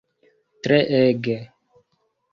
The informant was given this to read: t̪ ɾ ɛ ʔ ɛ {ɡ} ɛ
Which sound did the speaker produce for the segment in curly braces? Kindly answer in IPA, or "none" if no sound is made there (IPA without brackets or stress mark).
ɡ